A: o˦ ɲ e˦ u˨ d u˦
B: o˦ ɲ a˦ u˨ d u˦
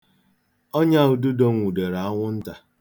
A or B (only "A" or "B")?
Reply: B